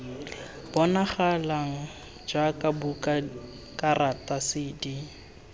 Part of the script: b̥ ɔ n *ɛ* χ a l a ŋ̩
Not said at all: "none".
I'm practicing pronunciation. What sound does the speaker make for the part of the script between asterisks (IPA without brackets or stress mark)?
a